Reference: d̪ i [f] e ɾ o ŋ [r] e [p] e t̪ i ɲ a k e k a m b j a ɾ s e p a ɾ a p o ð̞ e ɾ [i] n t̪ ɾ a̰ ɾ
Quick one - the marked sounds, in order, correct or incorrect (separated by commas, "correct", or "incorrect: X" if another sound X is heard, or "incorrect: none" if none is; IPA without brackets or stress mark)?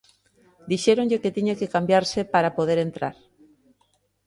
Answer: incorrect: ʃ, incorrect: ʎ, incorrect: k, incorrect: e